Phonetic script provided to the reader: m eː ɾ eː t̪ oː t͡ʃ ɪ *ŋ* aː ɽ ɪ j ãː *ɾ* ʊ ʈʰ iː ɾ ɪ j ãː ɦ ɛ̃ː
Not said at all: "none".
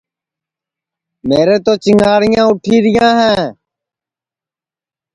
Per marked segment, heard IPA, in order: ŋ, none

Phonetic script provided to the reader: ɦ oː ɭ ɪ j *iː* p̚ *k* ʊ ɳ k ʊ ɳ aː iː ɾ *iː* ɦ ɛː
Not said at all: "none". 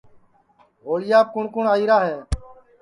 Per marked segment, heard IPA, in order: aː, k, aː

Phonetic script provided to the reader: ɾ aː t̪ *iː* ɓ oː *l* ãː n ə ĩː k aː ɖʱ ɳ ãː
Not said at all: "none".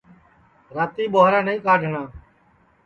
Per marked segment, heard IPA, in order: iː, ɾ

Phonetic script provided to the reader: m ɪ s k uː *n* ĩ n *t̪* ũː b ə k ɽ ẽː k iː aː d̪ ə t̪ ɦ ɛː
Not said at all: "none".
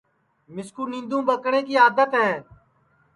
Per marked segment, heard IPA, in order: n, d̪

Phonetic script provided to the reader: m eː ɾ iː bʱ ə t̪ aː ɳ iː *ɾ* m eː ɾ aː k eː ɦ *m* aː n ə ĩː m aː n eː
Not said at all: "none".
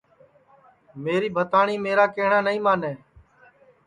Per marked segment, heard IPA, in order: none, ɳ

